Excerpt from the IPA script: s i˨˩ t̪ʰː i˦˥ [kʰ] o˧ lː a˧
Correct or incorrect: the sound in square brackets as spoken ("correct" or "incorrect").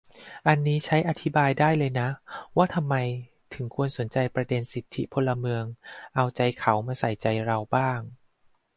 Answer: incorrect